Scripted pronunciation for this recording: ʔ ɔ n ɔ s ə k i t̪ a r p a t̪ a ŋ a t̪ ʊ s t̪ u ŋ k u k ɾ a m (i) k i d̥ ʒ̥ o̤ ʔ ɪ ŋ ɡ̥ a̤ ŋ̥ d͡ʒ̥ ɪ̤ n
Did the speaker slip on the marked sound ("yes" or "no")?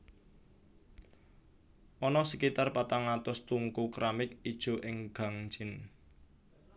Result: yes